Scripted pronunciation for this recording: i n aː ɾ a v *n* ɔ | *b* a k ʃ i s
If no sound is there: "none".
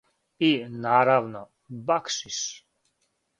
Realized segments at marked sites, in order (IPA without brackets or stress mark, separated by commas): n, b